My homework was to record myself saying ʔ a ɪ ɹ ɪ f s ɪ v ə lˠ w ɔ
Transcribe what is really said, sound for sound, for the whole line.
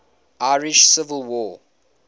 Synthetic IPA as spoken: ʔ a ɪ ɹ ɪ ʃ s ɪ v ə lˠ w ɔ